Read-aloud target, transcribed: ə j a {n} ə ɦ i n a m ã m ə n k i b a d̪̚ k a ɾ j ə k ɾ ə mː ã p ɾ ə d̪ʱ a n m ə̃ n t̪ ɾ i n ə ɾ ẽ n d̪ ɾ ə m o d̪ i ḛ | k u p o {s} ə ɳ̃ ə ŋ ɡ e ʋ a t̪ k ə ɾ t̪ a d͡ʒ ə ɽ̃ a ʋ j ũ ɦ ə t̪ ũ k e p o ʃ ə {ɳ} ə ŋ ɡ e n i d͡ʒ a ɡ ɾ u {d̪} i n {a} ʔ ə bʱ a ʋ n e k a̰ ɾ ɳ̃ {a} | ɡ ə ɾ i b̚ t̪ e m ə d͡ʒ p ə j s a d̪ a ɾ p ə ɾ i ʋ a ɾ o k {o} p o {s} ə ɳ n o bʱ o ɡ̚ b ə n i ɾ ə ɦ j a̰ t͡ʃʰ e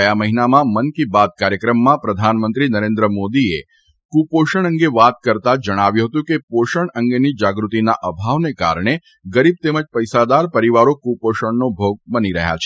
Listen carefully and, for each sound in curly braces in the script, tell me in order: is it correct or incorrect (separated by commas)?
incorrect, incorrect, correct, incorrect, correct, incorrect, incorrect, incorrect